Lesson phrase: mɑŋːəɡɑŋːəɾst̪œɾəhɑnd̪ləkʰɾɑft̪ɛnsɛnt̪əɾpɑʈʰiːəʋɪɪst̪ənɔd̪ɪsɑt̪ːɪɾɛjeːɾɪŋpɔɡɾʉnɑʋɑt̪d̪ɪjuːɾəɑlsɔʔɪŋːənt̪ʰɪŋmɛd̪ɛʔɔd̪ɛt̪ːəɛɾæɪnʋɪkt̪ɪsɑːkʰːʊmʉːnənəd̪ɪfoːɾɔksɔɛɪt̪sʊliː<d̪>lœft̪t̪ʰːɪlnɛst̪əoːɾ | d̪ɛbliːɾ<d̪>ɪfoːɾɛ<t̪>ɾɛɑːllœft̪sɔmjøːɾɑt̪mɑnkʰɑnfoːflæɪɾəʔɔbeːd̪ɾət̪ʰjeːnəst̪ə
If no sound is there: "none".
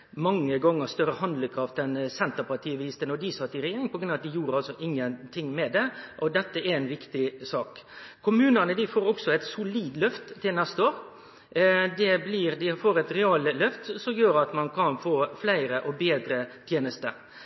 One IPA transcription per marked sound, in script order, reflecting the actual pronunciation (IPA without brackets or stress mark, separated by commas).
d̪, d̪, t̪